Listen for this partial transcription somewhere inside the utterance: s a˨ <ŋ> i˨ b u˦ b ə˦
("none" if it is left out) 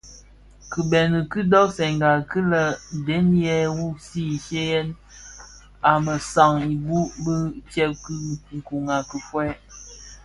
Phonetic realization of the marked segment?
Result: ŋ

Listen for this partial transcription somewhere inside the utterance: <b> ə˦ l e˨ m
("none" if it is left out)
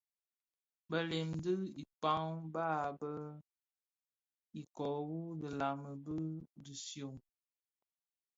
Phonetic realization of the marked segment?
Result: b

